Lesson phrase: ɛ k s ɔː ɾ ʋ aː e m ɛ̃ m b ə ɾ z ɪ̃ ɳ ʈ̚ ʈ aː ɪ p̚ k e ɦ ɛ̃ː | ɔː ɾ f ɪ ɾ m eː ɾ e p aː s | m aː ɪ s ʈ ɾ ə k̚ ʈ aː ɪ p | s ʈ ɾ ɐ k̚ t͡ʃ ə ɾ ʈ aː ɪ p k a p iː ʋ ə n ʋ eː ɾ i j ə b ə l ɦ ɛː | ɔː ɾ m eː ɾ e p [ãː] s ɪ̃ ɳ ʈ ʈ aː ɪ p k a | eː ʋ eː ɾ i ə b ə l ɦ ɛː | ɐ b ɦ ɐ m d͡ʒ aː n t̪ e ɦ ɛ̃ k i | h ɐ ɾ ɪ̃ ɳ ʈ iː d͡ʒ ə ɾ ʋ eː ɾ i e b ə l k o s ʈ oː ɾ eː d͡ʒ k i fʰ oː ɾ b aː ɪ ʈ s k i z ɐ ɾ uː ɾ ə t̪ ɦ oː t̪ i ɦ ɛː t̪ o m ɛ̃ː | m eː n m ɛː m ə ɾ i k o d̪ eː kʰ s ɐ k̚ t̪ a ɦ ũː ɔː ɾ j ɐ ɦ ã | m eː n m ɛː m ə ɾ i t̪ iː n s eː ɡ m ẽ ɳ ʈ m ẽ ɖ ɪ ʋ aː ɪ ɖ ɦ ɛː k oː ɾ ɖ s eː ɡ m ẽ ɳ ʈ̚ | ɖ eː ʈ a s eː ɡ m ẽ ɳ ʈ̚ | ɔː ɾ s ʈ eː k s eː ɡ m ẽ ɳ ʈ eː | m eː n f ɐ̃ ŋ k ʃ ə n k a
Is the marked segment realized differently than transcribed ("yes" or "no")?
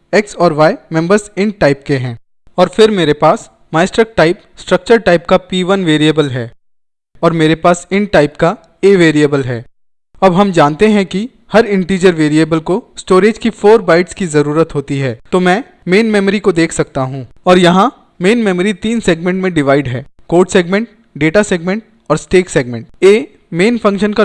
yes